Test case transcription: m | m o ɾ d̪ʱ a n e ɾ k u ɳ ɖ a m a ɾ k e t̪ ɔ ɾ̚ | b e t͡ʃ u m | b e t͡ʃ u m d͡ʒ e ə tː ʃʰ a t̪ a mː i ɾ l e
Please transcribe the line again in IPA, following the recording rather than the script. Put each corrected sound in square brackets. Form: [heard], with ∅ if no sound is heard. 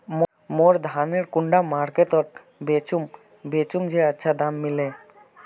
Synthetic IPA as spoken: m | m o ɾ d̪ʱ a n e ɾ k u ɳ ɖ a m a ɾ k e t̪ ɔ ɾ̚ | b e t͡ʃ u m | b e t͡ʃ u m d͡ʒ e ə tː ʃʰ a [d̪] a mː i [∅] l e